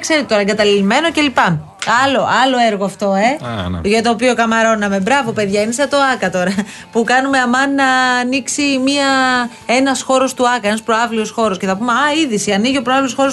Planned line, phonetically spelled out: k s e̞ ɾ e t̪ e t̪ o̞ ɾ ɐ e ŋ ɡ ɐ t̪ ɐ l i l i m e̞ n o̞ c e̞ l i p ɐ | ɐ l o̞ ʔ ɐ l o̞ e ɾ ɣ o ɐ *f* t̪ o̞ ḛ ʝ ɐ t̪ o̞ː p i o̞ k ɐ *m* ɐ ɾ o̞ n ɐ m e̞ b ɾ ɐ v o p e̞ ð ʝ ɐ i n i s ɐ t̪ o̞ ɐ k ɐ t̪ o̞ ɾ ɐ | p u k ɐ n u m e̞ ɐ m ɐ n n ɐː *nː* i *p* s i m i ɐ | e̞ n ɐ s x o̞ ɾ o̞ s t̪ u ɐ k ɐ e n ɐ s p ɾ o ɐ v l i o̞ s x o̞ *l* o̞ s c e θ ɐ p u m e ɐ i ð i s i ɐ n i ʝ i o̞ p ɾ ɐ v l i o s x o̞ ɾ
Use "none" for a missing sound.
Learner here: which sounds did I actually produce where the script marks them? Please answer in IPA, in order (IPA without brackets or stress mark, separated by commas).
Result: f, m, n, k, ɾ